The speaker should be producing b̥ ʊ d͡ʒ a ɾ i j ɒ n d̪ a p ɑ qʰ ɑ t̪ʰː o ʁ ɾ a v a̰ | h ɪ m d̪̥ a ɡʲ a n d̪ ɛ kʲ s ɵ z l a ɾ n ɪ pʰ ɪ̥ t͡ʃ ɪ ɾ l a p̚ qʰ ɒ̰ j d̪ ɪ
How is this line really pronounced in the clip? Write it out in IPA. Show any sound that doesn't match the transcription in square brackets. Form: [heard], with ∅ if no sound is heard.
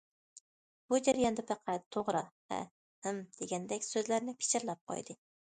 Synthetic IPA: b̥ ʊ d͡ʒ a ɾ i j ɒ n d̪ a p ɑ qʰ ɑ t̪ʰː o ʁ ɾ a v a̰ | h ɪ m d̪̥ [e] ɡʲ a n d̪ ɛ kʲ s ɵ z l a ɾ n ɪ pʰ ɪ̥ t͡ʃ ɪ ɾ l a p̚ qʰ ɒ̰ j d̪ ɪ